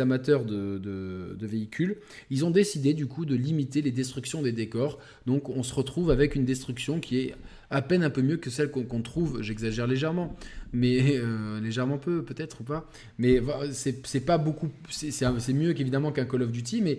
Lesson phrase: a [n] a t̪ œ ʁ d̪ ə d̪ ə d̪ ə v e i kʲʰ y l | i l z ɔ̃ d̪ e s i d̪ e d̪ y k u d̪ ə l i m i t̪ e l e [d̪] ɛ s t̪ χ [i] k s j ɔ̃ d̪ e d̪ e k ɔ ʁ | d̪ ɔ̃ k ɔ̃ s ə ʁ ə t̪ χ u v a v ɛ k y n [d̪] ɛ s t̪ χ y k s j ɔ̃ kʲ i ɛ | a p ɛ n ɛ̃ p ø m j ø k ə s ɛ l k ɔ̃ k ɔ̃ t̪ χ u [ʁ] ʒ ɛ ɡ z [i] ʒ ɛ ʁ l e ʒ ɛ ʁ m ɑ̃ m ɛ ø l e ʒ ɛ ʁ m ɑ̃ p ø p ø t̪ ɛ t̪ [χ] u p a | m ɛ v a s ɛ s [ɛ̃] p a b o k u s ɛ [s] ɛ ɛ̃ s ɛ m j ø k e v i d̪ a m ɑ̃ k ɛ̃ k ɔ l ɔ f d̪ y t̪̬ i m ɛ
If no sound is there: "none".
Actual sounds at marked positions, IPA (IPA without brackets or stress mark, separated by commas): m, d̪, y, d̪, v, a, χ, ɛ, s